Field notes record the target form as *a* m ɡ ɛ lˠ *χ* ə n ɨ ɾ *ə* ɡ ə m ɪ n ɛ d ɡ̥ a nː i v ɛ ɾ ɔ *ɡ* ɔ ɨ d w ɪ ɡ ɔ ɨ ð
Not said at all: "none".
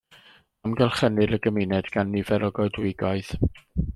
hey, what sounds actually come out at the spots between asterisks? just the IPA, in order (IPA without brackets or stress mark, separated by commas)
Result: a, χ, ə, ɡ